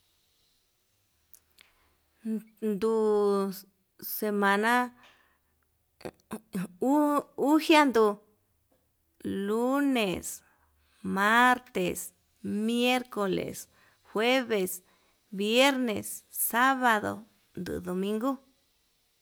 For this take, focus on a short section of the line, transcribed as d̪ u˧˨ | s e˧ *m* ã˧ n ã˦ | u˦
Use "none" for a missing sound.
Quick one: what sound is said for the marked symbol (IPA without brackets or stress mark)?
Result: m